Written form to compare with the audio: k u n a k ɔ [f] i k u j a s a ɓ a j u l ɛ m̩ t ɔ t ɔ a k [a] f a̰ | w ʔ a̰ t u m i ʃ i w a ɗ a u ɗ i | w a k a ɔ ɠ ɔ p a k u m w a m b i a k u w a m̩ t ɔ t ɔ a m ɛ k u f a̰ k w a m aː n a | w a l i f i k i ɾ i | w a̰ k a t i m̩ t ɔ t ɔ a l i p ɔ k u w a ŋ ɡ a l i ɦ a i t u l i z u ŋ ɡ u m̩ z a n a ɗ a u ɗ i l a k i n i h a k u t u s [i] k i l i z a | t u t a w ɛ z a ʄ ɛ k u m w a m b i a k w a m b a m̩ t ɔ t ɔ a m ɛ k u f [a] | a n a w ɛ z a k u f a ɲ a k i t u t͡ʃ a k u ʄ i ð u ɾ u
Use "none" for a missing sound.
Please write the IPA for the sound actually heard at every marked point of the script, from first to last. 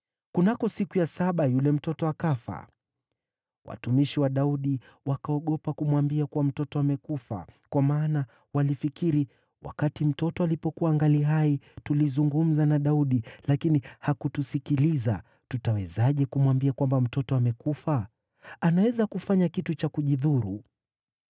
s, a, i, a

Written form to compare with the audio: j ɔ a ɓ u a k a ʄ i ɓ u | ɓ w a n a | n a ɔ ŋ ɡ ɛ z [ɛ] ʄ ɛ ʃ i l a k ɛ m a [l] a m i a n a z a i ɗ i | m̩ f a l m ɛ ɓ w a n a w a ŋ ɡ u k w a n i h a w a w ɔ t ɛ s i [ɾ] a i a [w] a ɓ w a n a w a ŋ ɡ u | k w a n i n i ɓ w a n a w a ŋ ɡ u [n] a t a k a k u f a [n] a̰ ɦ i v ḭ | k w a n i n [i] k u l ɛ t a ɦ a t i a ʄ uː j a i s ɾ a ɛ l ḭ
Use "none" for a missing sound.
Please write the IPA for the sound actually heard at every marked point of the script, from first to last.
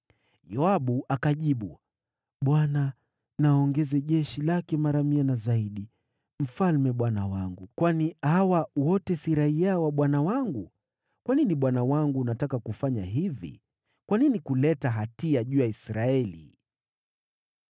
ɛ, ɾ, ɾ, w, n, ɲ, i

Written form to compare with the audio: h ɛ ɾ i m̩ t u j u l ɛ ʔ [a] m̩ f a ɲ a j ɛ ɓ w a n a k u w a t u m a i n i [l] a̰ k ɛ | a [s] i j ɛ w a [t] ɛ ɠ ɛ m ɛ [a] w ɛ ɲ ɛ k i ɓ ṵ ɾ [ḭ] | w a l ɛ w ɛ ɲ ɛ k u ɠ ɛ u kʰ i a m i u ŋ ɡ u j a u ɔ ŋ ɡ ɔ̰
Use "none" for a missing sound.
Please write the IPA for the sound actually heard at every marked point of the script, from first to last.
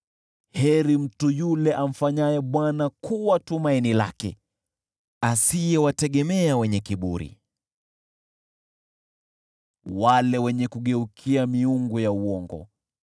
a, l, s, t, a, ḭ

